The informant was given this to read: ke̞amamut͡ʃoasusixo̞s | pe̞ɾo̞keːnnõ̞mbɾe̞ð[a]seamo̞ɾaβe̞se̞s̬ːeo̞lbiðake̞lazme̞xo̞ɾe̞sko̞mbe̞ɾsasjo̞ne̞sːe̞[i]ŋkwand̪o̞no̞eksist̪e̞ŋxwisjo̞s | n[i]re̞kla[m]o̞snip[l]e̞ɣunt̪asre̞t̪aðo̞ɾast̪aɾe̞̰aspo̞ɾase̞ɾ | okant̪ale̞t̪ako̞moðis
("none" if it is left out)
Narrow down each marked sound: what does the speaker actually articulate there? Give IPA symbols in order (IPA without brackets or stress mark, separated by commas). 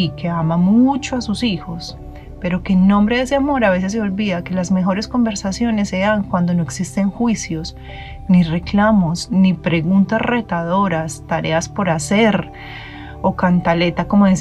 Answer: e, a, i, m, ɾ